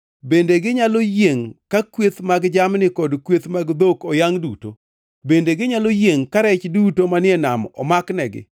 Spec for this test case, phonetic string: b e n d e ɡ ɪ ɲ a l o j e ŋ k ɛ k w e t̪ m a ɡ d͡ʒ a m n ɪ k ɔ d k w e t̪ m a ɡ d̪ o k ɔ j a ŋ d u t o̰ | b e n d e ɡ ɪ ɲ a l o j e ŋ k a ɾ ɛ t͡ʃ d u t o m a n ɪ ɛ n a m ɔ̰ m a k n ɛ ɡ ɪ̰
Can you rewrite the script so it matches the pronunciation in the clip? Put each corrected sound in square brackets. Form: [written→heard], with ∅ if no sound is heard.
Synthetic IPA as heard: b e n d e ɡ ɪ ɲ a l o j e ŋ k [ɛ→a] k w e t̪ m a ɡ d͡ʒ a m n ɪ k ɔ d k w e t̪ m a ɡ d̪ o k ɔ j a ŋ d u t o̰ | b e n d e ɡ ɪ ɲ a l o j e ŋ k a ɾ ɛ t͡ʃ d u t o m a n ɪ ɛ n a m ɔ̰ m a k n ɛ ɡ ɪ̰